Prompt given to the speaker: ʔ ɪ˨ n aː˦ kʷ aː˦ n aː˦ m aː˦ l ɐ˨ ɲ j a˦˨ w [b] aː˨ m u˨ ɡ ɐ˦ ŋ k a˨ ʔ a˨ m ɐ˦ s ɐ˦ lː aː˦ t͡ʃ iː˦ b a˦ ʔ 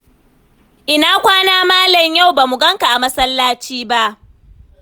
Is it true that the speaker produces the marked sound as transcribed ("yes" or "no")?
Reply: yes